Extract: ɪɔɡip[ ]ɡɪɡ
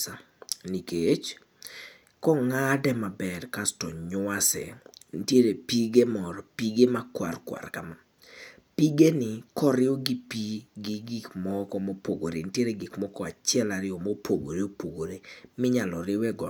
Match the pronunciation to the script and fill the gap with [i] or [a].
i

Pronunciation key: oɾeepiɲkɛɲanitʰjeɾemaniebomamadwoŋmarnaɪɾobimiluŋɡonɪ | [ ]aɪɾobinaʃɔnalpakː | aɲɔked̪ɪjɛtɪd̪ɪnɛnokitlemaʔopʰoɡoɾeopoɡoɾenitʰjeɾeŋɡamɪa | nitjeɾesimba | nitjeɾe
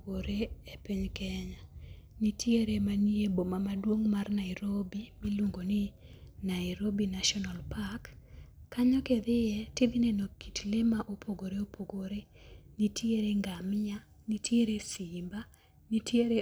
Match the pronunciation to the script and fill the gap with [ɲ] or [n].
n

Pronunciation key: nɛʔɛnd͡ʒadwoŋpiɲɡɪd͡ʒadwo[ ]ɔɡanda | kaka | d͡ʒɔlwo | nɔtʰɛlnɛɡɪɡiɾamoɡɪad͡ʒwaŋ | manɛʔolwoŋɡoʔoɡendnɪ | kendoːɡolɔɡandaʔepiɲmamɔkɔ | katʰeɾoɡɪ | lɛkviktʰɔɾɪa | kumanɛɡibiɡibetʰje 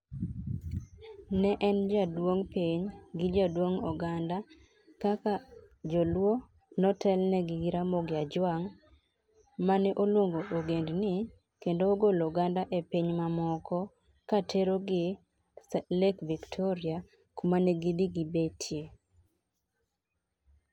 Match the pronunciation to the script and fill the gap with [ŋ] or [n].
ŋ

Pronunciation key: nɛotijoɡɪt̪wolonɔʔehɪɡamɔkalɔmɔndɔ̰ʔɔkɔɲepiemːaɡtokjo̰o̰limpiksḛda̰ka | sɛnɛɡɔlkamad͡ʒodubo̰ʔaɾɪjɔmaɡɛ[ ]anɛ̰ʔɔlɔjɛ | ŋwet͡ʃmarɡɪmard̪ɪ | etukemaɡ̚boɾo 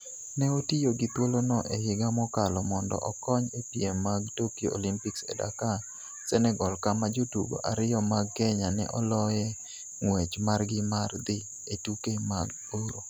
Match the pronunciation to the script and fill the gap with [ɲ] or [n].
ɲ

